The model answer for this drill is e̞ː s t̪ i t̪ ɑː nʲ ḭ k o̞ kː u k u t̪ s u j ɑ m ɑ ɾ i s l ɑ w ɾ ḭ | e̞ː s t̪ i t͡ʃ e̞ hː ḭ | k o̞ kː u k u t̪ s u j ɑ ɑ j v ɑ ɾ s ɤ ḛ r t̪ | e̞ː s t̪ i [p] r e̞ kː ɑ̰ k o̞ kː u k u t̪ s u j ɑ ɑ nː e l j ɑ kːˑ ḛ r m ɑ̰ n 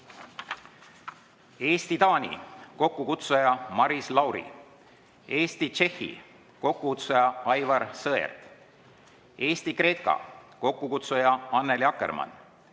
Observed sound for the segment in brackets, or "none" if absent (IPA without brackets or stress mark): k